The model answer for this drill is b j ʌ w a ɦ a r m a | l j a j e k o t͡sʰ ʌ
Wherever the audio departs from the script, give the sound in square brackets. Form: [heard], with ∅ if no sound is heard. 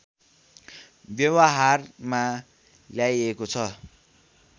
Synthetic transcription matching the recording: b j ʌ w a ɦ a r m a | l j a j e k o t͡sʰ ʌ